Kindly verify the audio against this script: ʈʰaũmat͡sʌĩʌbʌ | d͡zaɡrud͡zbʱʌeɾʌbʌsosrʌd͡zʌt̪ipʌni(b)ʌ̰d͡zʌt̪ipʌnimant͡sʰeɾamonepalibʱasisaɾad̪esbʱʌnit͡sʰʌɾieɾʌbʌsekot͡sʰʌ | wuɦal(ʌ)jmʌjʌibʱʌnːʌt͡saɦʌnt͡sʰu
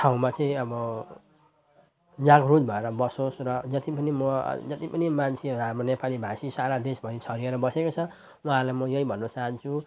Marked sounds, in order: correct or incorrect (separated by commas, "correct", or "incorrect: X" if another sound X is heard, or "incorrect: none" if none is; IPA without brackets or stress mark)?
incorrect: m, incorrect: a